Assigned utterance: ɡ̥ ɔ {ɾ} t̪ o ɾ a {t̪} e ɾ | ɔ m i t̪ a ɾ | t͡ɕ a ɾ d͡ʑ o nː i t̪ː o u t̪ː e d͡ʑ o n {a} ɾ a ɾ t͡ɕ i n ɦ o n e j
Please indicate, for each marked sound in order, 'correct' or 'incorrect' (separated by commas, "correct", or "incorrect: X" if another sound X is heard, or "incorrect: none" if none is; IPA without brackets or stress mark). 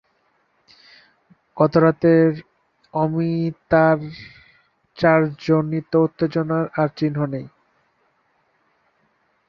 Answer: incorrect: none, correct, correct